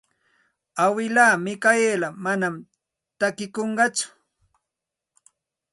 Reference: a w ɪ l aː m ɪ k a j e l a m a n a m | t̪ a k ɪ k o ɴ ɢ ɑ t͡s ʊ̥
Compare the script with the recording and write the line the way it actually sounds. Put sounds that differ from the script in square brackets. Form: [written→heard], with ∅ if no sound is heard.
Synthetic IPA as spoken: a w ɪ l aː m ɪ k a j e l a m a n a m | t̪ a k ɪ k o ɴ ɢ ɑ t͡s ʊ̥